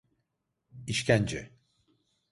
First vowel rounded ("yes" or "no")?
no